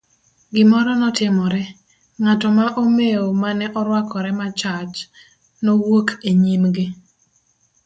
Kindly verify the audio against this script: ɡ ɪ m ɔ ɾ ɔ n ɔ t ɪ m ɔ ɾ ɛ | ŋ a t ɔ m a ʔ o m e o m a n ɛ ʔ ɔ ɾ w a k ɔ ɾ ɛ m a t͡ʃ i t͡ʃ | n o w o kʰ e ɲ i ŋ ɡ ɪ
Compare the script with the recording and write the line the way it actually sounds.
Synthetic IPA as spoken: ɡ ɪ m ɔ ɾ ɔ n ɔ t ɪ m ɔ ɾ ɛ | ŋ a t ɔ m a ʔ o m e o m a n ɛ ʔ ɔ ɾ w a k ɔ ɾ ɛ m a t͡ʃ a t͡ʃ | n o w o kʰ e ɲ i m ɡ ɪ